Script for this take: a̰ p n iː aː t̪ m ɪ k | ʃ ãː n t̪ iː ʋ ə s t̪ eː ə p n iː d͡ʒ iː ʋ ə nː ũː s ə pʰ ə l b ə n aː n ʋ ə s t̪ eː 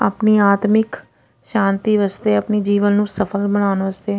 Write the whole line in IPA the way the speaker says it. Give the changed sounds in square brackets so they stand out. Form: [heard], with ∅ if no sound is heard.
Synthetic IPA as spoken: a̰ p n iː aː t̪ m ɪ k | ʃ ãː n t̪ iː ʋ ə s t̪ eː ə p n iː d͡ʒ iː ʋ ə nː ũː s ə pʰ ə l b ə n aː n ʋ ə s t̪ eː